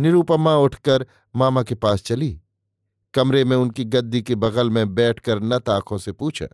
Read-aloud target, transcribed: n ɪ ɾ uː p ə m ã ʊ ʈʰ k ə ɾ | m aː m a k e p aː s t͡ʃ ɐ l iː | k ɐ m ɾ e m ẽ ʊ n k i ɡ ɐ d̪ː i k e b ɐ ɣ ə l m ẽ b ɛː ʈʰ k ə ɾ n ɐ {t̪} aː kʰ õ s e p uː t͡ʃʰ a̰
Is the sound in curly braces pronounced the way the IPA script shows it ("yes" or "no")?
yes